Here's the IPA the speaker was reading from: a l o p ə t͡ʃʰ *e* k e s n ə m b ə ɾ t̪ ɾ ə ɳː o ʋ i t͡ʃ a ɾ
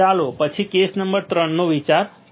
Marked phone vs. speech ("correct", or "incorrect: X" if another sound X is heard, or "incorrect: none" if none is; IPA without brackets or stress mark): incorrect: i